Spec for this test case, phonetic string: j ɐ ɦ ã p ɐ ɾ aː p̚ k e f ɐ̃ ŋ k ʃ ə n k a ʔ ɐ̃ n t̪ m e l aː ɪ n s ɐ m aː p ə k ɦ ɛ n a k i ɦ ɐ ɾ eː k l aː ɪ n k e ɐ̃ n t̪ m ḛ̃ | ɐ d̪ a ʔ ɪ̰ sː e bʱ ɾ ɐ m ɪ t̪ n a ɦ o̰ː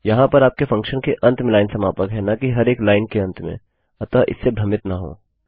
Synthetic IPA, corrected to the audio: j ɐ ɦ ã p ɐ ɾ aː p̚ k e f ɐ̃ ŋ k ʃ ə n k e ʔ ɐ̃ n t̪ m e l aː ɪ n s ɐ m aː p ə k ɦ ɛ n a k i ɦ ɐ ɾ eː k l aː ɪ n k e ɐ̃ n t̪ m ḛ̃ | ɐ t̪ a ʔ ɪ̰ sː e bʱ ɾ ɐ m ɪ t̪ n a ɦ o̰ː